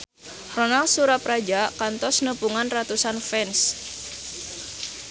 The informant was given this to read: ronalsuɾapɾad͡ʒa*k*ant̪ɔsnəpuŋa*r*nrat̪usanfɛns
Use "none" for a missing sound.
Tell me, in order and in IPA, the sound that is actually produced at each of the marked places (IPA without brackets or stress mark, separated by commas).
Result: k, none